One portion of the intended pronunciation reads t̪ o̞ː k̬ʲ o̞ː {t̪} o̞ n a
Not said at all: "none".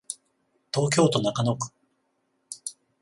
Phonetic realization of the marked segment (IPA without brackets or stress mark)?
t̪